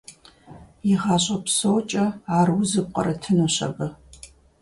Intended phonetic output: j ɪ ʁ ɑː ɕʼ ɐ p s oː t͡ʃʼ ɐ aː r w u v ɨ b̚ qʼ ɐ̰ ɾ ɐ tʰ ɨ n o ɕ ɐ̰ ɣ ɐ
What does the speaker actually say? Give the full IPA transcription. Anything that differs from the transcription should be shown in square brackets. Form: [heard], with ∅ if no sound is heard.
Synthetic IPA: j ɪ ʁ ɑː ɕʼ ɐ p s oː t͡ʃʼ ɐ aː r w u [z] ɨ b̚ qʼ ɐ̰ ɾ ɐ tʰ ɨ n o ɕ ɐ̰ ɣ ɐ